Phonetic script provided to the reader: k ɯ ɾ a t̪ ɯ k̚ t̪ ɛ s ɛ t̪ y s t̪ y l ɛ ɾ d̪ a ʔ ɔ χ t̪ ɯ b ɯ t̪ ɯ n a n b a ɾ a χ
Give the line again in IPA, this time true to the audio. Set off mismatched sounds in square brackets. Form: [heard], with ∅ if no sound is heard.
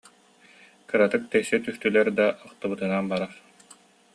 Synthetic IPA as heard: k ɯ ɾ a t̪ ɯ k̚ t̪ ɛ s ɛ t̪ y s t̪ y l ɛ ɾ d̪ a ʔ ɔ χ t̪ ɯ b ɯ t̪ ɯ n a n b a ɾ a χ